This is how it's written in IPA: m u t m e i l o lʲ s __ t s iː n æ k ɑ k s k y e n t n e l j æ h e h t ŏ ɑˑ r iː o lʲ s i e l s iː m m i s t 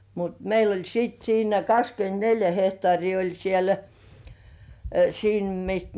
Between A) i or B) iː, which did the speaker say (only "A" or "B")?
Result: B